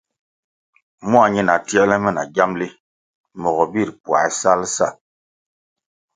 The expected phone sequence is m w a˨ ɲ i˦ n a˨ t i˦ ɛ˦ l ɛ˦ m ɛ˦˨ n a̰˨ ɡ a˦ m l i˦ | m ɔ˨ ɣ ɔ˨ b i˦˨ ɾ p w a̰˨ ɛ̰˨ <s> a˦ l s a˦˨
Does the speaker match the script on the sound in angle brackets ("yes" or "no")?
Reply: yes